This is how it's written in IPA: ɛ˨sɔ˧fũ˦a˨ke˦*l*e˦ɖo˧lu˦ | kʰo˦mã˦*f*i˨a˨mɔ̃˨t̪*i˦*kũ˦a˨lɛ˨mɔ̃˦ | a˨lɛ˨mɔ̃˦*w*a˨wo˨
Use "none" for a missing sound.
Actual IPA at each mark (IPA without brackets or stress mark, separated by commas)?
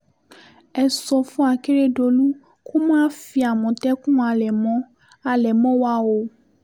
ɾ, f, ɛ˦, w